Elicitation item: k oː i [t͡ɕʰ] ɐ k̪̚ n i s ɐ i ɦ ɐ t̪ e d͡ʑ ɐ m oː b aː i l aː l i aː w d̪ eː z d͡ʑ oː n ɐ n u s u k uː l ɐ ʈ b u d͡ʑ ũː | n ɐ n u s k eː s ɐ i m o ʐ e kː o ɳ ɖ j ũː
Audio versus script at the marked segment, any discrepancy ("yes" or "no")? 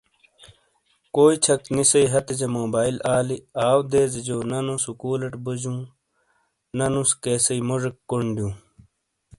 no